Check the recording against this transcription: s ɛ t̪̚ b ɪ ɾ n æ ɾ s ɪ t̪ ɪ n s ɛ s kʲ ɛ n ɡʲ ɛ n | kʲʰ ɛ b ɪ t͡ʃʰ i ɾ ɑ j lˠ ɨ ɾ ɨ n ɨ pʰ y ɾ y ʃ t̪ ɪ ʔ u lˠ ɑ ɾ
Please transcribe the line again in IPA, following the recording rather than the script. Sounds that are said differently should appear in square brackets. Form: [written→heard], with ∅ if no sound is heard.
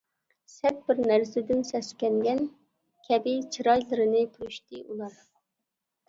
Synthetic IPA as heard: s ɛ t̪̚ b ɪ ɾ n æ ɾ s ɪ [t̪→d̪] ɪ n s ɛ s kʲ ɛ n ɡʲ ɛ n | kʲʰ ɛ b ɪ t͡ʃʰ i ɾ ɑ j lˠ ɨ ɾ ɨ n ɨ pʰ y ɾ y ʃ t̪ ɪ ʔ u lˠ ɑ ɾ